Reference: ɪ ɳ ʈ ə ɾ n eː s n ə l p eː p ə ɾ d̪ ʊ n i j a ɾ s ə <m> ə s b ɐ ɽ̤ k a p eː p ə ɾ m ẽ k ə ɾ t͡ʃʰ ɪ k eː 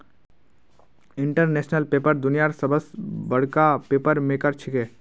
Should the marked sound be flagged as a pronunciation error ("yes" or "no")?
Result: yes